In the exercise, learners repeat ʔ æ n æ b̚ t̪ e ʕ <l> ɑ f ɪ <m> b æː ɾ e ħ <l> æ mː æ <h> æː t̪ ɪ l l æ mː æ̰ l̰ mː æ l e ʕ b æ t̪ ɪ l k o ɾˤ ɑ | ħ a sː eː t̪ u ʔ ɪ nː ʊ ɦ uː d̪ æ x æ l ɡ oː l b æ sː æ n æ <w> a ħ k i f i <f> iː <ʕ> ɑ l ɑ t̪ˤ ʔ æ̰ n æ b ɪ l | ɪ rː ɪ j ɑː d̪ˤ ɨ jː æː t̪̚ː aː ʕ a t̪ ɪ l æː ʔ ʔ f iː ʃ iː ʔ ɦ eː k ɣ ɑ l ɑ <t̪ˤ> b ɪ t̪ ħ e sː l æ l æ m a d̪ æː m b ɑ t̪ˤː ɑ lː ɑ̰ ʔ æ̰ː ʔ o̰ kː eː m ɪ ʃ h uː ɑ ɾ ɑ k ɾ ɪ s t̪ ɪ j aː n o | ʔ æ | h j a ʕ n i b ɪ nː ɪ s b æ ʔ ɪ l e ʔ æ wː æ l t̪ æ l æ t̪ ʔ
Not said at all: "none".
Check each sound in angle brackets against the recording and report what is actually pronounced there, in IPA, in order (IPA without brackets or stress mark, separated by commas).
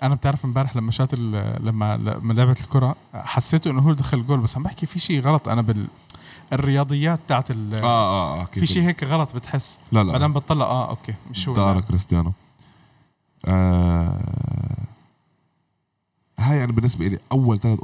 ɾ, m, l, ʃ, b, ʃ, ɣ, t̪ˤ